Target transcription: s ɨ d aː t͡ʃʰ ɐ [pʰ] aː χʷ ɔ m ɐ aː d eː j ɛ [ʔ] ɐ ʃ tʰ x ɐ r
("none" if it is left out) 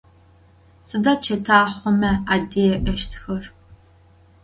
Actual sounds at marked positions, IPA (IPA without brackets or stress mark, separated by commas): tʰ, ʔ